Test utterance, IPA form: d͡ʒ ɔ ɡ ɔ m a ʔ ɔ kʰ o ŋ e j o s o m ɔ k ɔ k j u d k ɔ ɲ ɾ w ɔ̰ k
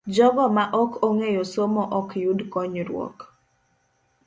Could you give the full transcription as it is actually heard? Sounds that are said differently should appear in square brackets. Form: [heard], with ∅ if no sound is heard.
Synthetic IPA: d͡ʒ ɔ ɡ ɔ m a ʔ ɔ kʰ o ŋ e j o s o m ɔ [ʔ] ɔ k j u d k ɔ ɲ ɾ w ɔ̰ k